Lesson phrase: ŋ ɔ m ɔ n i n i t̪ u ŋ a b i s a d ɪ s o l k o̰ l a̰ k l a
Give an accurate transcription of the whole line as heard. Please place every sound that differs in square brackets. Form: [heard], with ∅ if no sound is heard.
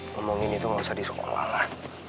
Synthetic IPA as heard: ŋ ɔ m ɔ [ŋ] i n i t̪ u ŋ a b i s a d [i] s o [∅] k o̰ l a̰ [∅] l a